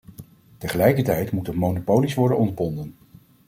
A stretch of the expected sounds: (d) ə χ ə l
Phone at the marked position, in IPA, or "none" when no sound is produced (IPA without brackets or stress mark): t